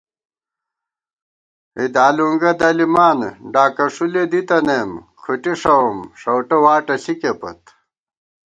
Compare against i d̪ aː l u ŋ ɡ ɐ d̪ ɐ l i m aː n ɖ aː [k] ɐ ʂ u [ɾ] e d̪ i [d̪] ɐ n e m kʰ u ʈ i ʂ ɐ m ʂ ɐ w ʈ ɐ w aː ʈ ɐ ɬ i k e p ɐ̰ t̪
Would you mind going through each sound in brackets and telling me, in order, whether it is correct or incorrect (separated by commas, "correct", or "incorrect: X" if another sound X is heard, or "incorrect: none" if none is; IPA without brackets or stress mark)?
correct, incorrect: l, incorrect: t̪